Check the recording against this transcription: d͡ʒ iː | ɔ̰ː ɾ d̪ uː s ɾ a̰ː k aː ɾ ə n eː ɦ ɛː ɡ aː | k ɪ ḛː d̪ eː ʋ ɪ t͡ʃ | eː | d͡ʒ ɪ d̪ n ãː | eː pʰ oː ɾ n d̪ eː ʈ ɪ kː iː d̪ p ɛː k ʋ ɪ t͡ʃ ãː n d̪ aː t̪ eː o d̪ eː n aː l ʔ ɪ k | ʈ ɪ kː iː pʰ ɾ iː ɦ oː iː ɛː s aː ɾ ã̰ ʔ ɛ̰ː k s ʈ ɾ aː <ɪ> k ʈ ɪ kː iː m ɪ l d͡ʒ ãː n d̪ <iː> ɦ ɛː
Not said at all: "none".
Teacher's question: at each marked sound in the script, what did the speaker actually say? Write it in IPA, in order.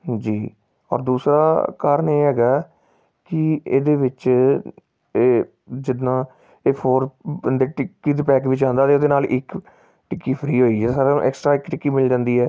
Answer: ɪ, iː

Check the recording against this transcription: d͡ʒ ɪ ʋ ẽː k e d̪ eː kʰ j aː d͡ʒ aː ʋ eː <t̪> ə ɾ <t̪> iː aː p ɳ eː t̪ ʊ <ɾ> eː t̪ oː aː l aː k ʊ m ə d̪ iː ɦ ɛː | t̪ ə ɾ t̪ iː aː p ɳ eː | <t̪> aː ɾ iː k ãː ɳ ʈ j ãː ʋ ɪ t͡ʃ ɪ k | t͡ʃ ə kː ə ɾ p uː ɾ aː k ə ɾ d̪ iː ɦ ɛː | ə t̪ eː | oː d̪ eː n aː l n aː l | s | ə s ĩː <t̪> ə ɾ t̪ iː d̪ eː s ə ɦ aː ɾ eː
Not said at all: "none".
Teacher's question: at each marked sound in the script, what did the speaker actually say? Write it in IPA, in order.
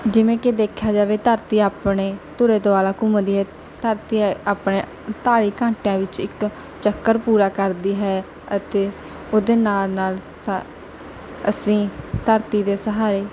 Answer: t̪, t̪, ɾ, t̪, t̪

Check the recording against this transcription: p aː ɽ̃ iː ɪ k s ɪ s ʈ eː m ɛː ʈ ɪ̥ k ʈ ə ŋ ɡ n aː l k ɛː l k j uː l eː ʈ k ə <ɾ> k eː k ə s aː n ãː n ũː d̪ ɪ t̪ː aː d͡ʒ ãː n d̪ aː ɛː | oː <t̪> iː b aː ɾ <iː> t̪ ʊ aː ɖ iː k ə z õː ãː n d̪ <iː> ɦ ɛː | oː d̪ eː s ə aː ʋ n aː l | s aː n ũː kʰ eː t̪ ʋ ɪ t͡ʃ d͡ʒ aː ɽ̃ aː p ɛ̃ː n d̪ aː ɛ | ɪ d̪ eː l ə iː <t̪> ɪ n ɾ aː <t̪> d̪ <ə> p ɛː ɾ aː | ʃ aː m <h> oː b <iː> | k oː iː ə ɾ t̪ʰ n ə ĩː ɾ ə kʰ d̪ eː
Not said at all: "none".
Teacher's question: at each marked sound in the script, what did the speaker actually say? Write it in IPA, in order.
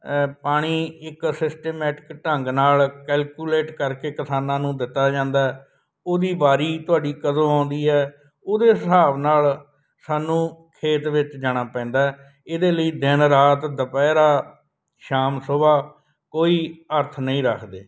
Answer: ɾ, d̪, iː, iː, d̪, t̪, ə, s, aː

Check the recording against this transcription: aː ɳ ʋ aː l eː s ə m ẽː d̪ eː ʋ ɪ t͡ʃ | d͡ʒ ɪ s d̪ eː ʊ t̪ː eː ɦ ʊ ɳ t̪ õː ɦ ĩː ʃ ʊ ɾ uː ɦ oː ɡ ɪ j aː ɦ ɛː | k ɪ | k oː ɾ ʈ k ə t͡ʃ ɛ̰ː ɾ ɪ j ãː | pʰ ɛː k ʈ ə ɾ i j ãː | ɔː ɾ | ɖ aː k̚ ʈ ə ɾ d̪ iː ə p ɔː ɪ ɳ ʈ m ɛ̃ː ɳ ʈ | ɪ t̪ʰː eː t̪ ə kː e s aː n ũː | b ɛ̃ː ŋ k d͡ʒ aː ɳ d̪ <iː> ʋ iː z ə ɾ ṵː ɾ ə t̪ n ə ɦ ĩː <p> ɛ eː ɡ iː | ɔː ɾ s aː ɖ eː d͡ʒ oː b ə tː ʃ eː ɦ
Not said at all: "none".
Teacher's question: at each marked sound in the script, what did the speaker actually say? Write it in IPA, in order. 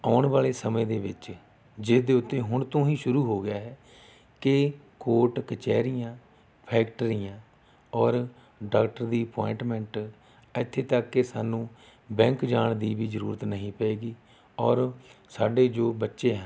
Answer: iː, p

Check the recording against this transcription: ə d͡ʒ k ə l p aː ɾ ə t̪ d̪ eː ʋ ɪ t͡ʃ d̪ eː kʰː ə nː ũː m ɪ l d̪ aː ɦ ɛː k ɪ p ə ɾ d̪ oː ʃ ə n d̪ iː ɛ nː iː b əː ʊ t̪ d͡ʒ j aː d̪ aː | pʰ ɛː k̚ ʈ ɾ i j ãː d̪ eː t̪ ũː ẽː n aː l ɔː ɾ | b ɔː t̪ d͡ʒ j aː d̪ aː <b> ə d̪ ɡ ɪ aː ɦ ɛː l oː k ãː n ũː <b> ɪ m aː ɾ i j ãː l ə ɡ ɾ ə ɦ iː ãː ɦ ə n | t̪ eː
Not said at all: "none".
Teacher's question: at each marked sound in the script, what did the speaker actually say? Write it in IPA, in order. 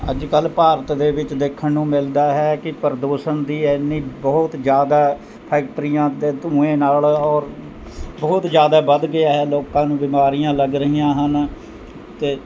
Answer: b, b

